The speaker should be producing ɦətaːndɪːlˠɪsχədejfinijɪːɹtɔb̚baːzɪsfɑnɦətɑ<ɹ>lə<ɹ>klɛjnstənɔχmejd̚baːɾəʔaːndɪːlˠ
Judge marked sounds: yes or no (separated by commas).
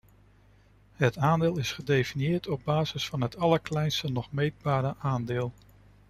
no, yes